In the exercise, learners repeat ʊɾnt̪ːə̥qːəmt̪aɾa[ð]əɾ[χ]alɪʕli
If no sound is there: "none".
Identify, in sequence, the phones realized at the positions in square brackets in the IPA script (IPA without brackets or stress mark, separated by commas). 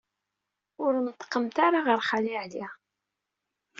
ʁ, χ